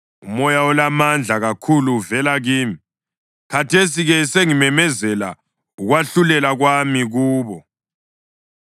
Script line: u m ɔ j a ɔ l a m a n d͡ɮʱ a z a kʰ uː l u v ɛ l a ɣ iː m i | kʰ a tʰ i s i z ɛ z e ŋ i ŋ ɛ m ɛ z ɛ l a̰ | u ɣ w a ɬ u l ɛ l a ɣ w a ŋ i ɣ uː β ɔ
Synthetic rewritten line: u m ɔ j a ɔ l a m a n d͡ɮʱ a ɣ a kʰ u l u v ɛ l a ɣ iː m i | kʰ a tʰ e s i ɣ ɛ s e ŋ i m ɛ m ɛ z ɛ l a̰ | u ɣ w a ɬ u l ɛ l a ɣ w a m i ɣ uː β ɔ